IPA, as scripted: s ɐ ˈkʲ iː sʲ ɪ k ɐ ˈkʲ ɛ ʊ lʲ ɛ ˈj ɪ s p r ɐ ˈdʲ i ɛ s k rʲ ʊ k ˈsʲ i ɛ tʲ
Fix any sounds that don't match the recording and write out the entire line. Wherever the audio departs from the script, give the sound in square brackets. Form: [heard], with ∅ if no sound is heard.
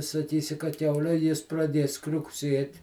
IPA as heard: s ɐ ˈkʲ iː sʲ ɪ k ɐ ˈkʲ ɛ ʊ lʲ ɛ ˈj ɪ s p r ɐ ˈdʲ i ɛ s k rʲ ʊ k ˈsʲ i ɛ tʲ